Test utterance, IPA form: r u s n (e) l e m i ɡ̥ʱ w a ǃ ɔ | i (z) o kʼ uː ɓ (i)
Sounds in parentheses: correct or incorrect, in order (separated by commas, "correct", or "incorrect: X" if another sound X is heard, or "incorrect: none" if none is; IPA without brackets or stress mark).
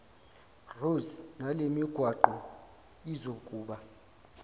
incorrect: a, correct, incorrect: a